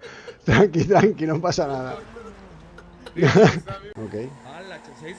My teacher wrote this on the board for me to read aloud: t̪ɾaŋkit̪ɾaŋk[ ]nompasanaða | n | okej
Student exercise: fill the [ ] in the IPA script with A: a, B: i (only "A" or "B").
B